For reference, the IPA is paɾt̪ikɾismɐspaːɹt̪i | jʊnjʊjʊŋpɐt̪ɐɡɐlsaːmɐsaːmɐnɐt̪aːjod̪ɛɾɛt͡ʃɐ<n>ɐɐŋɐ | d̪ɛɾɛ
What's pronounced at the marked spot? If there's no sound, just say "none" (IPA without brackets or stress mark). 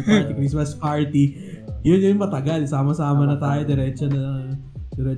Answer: n